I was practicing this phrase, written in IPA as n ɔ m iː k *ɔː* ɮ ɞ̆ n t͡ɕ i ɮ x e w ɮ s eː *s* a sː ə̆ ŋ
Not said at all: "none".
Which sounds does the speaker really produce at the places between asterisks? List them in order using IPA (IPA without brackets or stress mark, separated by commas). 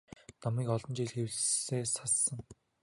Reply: ɔ, s